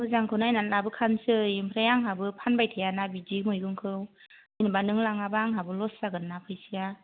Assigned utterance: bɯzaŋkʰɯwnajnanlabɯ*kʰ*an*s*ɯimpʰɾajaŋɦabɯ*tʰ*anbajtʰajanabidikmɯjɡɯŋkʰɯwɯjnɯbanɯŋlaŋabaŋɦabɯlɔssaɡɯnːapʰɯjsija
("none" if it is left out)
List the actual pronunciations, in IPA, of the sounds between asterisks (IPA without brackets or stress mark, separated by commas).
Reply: kʰ, s, pʰ